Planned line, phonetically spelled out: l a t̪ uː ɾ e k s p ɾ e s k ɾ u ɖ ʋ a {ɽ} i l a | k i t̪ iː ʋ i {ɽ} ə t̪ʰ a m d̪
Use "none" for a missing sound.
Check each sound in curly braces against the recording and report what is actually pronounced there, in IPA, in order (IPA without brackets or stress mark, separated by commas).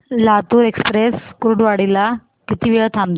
ɽ, ɭ